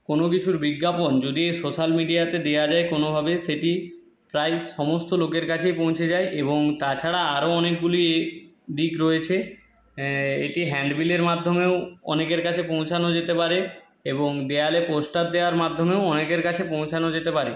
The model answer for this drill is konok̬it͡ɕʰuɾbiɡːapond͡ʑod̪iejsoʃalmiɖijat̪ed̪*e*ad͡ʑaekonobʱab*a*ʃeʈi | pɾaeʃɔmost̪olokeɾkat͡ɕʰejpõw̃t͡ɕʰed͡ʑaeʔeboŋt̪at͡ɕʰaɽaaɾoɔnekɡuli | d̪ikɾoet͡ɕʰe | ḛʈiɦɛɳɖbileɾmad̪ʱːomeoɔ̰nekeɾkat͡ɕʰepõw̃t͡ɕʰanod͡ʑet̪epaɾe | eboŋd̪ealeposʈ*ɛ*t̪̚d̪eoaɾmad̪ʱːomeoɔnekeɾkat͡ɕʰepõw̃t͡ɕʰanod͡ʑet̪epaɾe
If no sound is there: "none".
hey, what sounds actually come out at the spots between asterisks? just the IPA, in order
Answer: e, e, a

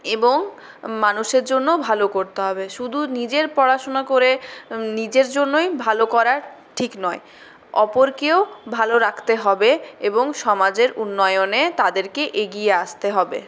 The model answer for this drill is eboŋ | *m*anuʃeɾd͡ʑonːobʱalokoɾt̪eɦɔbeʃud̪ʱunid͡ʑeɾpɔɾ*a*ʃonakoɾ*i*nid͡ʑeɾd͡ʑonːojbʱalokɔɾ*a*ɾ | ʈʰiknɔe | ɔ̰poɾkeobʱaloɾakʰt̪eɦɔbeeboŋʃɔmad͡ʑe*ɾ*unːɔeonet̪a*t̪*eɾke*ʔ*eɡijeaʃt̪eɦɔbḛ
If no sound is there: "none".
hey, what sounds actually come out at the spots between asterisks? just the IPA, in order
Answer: m, a, e, a, ɾ, d̪, ʔ

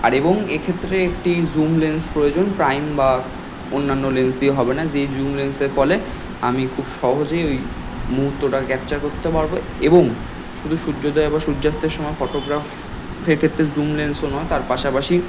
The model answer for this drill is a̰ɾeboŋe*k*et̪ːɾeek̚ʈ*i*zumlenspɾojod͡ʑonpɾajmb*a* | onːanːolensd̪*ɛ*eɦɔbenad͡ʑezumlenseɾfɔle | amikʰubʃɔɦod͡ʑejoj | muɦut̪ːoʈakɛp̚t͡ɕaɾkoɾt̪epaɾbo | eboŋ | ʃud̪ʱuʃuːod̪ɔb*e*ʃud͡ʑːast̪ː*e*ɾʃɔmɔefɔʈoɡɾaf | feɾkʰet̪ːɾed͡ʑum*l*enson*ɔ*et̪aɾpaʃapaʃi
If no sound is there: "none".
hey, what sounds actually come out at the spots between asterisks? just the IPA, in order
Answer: kʰ, i, a, i, a, e, l, ɔ

